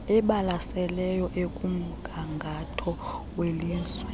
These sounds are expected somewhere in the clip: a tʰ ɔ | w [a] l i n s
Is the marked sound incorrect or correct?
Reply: incorrect